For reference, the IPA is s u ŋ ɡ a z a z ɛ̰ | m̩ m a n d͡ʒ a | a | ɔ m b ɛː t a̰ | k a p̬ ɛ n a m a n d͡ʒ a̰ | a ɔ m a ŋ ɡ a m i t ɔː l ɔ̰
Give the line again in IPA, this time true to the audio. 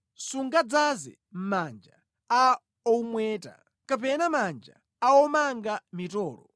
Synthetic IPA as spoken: s u ŋ ɡ a d͡z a z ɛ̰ | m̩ m a n d͡ʒ a | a | ɔ m w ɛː t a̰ | k a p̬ ɛ n a m a n d͡ʒ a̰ | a ɔ m a ŋ ɡ a m i t ɔː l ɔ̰